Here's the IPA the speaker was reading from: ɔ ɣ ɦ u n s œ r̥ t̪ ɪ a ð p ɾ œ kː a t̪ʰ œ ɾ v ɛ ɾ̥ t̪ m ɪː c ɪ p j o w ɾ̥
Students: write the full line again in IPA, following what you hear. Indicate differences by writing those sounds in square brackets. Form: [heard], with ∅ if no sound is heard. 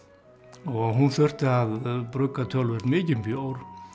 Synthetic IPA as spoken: ɔ ɣ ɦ u n [θ] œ r̥ t̪ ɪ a ð p ɾ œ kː a t̪ʰ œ [l] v ɛ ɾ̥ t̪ m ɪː c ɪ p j o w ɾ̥